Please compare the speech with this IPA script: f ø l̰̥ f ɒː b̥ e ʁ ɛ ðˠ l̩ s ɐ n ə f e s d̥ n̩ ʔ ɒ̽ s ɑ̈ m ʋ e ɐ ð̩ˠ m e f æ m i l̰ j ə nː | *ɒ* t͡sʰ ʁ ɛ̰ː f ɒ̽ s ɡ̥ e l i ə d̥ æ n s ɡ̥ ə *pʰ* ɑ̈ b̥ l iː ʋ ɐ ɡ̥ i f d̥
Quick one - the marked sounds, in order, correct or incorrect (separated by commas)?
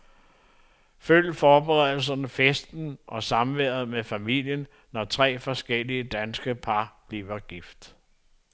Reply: correct, correct